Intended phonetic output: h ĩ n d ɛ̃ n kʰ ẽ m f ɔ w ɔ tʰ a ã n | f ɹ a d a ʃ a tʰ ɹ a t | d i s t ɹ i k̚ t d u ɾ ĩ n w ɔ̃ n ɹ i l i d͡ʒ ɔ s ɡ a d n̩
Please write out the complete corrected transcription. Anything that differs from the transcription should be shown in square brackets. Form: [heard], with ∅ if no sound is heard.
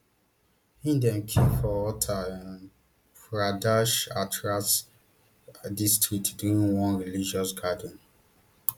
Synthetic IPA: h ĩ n d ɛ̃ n kʰ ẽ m f ɔ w ɔ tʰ a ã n | f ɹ a d a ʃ a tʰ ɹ a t | d i s t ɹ i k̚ t d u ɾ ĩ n w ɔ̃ n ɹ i l i d͡ʒ ɔ s ɡ a d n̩